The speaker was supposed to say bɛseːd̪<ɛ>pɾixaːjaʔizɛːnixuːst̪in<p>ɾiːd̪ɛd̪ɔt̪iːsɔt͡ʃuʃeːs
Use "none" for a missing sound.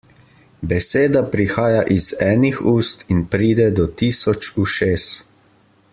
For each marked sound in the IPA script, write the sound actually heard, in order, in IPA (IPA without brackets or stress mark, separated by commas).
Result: a, p